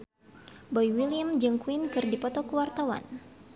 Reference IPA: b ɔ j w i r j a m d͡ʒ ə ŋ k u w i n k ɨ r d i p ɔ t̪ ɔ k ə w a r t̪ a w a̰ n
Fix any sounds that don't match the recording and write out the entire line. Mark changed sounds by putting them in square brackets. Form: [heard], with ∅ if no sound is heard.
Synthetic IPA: b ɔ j w i [l] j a m d͡ʒ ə ŋ k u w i n k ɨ r d i p ɔ t̪ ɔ k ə w a r t̪ a w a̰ n